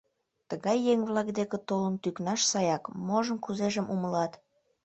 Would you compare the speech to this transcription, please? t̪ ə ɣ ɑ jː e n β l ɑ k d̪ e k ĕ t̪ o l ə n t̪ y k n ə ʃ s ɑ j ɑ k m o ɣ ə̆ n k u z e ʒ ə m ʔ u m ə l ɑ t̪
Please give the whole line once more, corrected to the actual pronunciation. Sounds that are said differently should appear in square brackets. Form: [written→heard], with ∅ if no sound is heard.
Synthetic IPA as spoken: t̪ ə ɣ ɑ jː e [n→ŋ] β l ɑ k d̪ e k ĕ t̪ o l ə n t̪ y k n [ə→ɑ] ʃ s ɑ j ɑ k m o [ɣ→ʒ] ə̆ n k u z e ʒ ə m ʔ u m ə l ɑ t̪